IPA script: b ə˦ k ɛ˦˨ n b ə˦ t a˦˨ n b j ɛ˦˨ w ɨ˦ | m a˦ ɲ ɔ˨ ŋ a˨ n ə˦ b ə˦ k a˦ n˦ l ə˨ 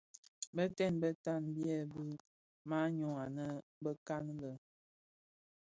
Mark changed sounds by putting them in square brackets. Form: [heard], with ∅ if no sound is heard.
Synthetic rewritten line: b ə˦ [t] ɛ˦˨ n b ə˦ t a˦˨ n b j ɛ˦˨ [b] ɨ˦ | m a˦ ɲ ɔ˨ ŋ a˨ n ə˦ b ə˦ k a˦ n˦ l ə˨